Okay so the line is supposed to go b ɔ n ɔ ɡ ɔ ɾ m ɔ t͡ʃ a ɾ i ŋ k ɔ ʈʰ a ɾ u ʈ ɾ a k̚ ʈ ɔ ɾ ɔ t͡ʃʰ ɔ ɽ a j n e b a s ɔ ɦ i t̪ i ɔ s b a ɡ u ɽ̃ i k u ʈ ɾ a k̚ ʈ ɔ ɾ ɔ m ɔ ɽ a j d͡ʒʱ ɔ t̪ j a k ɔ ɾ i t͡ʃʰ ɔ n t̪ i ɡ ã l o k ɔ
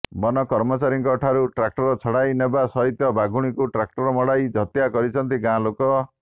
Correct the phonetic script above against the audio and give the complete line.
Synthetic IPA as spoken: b ɔ n ɔ k ɔ ɾ m ɔ t͡ʃ a ɾ i ŋ k ɔ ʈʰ a ɾ u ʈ ɾ a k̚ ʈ ɔ ɾ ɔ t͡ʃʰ ɔ ɽ a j n e b a s ɔ ɦ i t̪ j ɔ b a ɡ u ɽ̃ i k u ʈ ɾ a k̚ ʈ ɔ ɾ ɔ m ɔ ɽ a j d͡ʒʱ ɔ t̪ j a k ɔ ɾ i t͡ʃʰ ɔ n t̪ i ɡ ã l o k ɔ